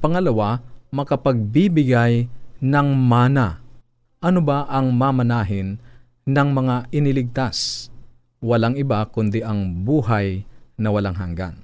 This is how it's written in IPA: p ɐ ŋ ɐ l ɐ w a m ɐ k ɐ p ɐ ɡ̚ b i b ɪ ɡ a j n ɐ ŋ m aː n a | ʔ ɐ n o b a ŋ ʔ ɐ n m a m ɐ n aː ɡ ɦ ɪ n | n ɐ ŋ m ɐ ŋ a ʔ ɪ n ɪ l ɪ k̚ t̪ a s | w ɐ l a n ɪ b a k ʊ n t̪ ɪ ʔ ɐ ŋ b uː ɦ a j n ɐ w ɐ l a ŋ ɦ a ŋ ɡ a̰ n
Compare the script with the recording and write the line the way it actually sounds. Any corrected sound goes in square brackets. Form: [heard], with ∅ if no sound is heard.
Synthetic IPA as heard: p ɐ ŋ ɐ l ɐ w a m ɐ k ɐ p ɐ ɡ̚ b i b ɪ ɡ a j n ɐ ŋ m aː n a | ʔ ɐ n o b a [∅] ʔ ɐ [ŋ] m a m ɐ n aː [∅] ɦ ɪ n | n ɐ ŋ m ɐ ŋ a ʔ ɪ n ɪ l ɪ [ɡ̚] t̪ a s | w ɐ l a [ŋ] ɪ b a k ʊ n [d̪] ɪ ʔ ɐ ŋ b uː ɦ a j n ɐ w ɐ l a ŋ ɦ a ŋ ɡ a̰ n